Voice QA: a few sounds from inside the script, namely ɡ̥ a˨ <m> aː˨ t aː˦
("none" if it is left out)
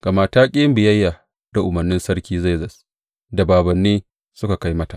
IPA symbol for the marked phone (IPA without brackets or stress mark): m